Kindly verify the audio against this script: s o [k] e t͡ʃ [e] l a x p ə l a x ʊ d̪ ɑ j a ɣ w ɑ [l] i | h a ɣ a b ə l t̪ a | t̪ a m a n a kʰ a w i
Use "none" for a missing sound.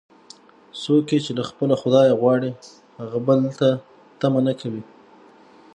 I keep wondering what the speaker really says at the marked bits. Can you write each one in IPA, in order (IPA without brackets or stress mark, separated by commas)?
k, e, ɽ